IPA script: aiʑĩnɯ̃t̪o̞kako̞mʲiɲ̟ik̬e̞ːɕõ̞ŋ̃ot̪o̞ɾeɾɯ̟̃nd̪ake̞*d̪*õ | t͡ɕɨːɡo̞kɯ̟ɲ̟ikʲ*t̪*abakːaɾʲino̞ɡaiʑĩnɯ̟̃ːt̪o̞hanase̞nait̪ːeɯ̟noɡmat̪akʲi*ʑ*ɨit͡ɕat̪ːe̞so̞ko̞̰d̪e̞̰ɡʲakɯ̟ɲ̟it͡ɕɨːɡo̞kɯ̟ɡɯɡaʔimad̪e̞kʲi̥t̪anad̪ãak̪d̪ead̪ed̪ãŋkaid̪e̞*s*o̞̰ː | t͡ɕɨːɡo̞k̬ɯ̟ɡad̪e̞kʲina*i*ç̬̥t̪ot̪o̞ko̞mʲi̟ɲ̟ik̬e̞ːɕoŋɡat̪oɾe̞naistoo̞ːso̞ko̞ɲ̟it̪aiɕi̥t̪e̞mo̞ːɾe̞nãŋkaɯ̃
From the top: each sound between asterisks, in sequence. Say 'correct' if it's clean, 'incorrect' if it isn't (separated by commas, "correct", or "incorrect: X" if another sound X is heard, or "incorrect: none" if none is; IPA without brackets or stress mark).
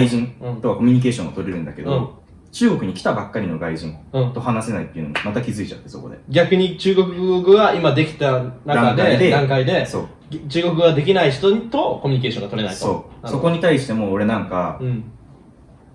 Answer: correct, correct, incorrect: z, correct, correct